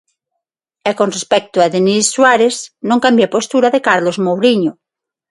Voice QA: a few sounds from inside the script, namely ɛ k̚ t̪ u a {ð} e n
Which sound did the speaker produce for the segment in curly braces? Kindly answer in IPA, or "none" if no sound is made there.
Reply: ð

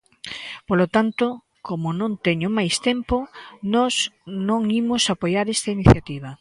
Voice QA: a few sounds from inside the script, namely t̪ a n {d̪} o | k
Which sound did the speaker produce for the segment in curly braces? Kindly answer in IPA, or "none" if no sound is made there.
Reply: t̪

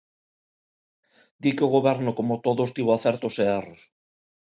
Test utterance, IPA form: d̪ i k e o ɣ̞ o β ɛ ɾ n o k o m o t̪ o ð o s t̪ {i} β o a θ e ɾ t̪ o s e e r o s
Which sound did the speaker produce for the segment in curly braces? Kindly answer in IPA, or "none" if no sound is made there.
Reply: i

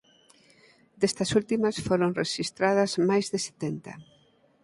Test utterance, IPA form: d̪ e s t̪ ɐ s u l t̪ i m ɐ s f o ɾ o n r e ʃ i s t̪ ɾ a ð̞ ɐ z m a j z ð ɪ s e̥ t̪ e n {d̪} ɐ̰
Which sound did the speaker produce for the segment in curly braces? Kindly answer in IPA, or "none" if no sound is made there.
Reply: t̪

